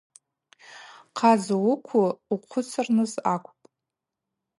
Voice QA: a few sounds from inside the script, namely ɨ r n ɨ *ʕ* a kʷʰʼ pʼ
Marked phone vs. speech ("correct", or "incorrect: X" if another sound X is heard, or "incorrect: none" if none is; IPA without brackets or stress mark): incorrect: z